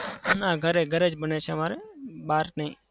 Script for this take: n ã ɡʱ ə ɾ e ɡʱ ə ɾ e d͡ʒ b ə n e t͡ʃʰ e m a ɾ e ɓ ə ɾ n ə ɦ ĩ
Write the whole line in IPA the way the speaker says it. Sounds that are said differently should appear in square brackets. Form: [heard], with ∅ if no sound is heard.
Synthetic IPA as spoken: n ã ɡʱ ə ɾ e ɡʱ ə ɾ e d͡ʒ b ə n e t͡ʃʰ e m a ɾ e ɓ [a] ɾ n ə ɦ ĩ